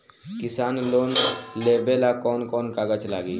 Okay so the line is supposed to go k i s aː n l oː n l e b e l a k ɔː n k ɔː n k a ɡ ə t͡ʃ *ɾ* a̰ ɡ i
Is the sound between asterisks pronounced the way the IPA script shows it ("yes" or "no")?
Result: no